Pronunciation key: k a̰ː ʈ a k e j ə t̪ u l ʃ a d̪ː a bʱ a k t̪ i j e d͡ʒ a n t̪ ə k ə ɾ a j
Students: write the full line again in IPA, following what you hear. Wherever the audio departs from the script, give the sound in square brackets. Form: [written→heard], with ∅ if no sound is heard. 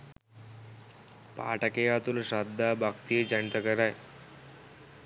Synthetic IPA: [k→p] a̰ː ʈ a k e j [ə→a] t̪ u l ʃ a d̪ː a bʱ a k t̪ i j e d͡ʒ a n t̪ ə k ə ɾ a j